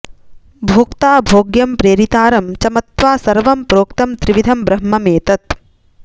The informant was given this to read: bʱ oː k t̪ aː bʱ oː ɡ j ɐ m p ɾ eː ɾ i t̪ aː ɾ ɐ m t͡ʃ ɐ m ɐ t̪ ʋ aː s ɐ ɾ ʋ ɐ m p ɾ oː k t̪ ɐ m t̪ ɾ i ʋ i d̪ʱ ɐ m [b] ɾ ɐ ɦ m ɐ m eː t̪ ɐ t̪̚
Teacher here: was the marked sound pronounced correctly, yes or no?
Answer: yes